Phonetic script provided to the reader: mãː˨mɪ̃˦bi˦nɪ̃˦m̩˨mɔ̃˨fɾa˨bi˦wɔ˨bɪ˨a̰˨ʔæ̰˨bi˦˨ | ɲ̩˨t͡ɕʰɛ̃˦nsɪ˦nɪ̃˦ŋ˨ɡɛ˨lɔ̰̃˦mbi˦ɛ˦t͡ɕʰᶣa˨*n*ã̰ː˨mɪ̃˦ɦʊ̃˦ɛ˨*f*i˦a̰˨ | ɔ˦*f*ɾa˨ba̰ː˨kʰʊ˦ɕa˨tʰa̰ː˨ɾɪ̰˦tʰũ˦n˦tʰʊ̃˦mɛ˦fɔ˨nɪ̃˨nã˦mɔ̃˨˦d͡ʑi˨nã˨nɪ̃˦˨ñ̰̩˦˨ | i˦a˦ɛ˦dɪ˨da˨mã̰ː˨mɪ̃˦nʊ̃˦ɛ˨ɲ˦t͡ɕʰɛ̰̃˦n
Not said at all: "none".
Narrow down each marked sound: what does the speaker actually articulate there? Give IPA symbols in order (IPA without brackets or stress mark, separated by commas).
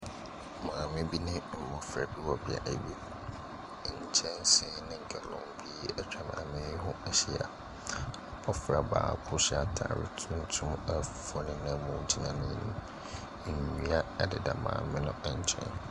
m, ɕ, f